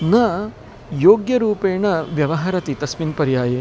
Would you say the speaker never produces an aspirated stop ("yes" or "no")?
yes